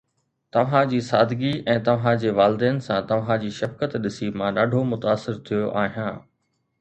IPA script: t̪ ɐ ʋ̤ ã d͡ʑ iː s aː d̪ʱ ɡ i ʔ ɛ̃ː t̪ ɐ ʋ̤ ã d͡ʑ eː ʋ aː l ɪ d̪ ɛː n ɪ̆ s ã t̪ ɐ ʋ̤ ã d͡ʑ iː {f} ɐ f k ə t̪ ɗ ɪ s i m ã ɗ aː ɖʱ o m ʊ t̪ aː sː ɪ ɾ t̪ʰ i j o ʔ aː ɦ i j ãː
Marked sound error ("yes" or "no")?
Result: yes